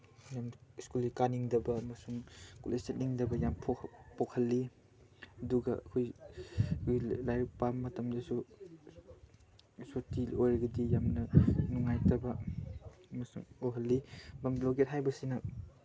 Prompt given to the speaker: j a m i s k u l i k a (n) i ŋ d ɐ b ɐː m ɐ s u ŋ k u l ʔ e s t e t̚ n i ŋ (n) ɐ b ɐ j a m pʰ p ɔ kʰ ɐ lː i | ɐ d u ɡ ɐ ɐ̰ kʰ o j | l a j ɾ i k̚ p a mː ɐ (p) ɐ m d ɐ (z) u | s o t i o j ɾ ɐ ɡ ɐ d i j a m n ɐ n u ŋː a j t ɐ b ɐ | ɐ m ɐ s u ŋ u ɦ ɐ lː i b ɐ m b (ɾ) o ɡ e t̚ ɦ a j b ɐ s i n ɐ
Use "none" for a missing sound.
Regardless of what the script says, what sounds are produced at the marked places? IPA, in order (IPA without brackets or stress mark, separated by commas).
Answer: n, d, t, s, l